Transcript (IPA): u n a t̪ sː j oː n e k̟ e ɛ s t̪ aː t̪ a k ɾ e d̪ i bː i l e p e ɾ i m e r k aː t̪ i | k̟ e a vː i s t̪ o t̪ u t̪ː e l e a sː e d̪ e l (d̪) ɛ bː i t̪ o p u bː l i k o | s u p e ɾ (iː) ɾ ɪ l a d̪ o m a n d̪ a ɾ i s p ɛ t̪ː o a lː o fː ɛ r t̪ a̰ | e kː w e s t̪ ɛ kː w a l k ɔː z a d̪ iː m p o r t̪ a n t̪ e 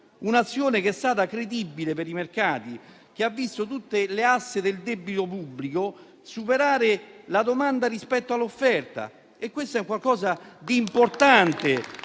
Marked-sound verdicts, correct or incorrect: correct, incorrect: aː

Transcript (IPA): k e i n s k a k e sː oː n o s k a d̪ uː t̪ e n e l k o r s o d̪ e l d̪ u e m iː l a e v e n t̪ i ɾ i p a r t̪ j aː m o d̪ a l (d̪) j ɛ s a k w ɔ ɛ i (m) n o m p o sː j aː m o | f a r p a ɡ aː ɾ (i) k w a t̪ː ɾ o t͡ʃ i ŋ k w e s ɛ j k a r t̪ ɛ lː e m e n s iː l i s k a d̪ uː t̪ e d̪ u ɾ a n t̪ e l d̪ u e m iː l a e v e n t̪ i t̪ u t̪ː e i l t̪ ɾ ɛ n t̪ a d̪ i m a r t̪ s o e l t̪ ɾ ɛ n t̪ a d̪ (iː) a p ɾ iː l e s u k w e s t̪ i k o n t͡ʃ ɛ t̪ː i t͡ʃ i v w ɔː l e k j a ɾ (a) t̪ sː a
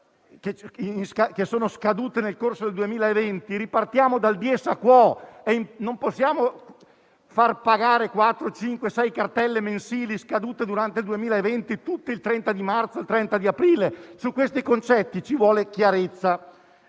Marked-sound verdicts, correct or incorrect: correct, correct, incorrect: e, incorrect: i, incorrect: e

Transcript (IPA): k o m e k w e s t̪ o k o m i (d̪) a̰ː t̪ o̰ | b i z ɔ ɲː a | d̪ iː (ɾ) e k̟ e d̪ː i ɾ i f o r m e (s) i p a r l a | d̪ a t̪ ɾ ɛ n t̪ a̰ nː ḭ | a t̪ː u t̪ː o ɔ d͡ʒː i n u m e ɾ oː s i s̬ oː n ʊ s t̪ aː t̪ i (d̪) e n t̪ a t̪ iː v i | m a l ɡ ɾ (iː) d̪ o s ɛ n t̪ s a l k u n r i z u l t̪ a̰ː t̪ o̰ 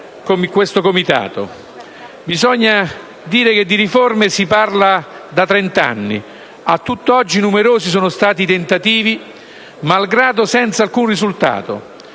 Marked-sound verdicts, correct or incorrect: incorrect: t̪, correct, correct, incorrect: t̪, incorrect: aː

